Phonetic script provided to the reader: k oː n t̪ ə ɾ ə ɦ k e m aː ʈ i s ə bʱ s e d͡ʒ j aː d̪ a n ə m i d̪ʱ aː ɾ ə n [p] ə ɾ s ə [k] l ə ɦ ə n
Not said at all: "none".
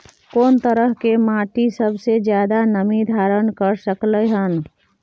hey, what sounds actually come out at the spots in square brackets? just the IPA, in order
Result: k, k

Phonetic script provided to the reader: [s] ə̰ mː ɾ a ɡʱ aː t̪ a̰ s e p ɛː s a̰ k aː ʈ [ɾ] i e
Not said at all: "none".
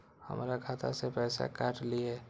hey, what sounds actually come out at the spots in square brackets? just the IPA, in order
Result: h, l

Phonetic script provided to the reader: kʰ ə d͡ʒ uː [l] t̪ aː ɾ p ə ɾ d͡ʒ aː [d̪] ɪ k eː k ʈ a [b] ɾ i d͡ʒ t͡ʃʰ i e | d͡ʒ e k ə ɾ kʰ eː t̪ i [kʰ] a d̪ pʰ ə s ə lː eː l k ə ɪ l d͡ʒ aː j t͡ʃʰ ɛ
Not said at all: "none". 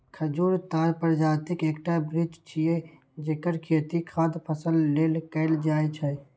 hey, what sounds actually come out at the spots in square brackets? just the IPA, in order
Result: ɾ, t̪, b, kʰ

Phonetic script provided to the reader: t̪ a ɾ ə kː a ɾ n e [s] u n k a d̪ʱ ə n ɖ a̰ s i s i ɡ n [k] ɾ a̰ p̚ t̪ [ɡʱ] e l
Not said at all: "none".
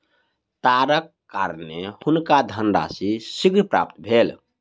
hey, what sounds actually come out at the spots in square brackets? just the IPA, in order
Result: h, p, bʱ

